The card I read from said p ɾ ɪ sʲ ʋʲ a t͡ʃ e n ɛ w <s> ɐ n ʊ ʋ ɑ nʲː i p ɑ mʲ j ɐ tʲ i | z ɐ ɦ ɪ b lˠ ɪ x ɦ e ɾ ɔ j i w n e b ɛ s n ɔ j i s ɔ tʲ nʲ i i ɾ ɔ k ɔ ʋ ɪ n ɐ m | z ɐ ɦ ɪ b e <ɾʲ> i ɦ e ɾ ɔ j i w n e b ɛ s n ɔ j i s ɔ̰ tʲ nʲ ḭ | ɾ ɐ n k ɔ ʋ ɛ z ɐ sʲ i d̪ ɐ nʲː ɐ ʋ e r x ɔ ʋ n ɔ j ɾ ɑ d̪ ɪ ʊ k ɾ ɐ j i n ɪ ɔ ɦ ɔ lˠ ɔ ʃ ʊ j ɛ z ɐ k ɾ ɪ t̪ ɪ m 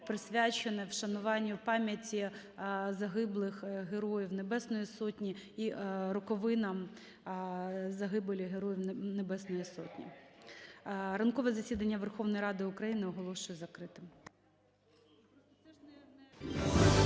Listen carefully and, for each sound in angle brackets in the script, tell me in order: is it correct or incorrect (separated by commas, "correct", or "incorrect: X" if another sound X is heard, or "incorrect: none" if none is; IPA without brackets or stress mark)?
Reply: incorrect: ʃ, incorrect: lʲ